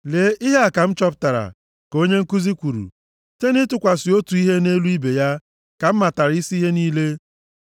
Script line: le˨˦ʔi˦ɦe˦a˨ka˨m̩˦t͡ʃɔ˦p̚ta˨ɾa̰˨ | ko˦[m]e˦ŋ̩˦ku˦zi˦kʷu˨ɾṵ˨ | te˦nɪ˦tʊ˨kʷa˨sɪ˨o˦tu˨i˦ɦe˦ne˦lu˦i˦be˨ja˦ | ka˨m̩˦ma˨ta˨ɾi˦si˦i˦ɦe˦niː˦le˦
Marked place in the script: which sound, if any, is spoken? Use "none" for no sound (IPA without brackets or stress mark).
ɲ